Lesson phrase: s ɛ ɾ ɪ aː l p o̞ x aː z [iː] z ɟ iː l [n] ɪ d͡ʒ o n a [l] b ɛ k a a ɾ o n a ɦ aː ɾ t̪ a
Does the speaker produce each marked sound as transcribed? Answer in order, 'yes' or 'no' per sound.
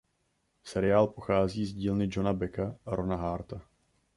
yes, yes, no

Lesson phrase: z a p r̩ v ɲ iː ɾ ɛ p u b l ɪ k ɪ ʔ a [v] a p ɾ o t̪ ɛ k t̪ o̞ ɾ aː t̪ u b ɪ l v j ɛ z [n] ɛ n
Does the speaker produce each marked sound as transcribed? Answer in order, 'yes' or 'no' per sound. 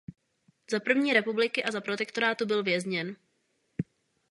no, no

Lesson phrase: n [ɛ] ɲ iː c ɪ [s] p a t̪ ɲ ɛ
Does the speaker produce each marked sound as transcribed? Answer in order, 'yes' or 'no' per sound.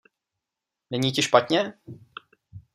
yes, no

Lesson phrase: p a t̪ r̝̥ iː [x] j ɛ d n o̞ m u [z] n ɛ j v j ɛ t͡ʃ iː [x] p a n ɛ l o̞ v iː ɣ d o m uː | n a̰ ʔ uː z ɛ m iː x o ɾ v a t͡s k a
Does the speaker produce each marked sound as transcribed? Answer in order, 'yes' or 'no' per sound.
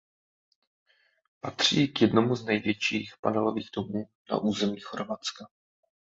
no, yes, yes

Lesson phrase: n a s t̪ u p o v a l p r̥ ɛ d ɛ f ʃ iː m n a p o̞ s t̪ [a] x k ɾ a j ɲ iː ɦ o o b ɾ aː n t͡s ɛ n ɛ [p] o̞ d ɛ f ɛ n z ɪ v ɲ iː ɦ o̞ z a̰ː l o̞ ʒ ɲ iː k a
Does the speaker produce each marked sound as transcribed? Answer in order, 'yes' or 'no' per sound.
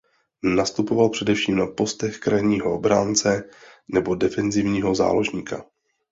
no, no

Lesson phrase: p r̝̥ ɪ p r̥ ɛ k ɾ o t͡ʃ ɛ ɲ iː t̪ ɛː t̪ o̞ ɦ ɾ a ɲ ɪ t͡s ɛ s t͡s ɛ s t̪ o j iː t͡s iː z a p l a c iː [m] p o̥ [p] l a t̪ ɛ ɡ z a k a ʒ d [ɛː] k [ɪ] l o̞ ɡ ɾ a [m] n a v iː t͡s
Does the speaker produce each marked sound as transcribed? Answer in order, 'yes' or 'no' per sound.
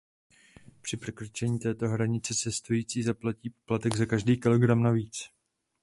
no, yes, no, yes, yes

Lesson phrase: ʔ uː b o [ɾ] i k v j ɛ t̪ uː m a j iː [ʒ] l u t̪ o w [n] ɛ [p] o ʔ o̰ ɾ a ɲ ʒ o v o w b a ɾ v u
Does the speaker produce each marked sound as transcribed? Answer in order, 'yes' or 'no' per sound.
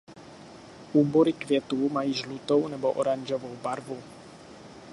yes, yes, yes, no

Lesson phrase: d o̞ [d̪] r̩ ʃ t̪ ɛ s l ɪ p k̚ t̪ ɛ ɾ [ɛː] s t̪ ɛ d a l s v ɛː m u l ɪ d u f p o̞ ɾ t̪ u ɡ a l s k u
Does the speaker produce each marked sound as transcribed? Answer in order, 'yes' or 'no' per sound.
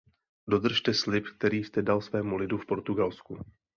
yes, no

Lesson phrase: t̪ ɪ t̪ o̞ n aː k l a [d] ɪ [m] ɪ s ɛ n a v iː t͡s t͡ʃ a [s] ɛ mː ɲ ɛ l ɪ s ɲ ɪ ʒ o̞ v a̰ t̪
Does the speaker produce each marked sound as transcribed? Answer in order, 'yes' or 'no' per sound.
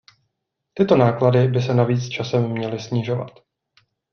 yes, no, yes

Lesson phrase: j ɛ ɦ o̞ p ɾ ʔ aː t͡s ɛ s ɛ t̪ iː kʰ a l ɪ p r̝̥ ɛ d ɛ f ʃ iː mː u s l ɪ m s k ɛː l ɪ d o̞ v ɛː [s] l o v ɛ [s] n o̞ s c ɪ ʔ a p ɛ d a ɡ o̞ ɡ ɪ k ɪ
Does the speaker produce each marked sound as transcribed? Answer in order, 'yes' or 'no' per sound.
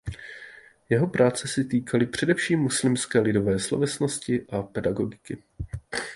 yes, yes

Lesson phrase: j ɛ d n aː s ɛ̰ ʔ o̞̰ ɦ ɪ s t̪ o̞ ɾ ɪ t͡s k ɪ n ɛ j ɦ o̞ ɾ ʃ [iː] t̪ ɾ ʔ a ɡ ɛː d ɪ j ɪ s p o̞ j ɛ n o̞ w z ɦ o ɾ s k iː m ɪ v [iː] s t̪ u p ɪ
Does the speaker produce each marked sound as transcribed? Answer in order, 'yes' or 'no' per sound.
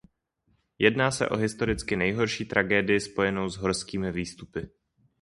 yes, yes

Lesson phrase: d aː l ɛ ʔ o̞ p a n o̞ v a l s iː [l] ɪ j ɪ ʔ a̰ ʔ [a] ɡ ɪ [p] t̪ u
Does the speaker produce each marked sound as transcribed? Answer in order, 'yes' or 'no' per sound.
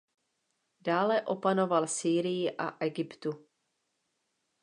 no, no, yes

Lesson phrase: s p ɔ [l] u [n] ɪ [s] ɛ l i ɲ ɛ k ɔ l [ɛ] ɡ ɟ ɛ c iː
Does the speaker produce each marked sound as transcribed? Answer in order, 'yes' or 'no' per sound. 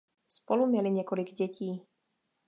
yes, no, no, no

